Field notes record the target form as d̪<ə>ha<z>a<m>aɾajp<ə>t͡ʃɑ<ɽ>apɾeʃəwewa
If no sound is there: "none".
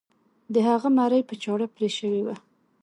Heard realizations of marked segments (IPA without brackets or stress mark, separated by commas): ə, ɣ, m, ə, ɽ